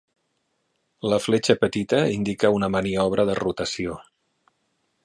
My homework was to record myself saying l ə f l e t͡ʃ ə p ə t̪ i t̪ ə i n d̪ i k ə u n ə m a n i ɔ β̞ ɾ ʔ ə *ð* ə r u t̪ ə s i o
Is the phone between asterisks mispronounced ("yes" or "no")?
no